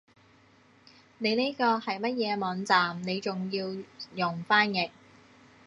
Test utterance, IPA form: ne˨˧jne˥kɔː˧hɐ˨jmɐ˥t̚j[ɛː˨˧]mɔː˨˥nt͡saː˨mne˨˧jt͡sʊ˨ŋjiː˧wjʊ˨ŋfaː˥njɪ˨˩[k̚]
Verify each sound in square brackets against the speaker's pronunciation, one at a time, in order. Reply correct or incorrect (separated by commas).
correct, correct